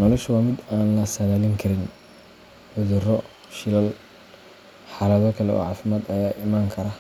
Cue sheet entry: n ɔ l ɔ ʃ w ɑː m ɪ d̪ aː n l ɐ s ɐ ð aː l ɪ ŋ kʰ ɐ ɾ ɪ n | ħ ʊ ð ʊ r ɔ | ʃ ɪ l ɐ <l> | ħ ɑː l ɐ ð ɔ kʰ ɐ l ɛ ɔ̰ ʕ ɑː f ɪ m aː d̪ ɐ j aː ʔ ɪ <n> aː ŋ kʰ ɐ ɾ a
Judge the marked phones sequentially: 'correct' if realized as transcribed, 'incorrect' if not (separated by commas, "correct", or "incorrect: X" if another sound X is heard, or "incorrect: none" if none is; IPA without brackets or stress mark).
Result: correct, incorrect: m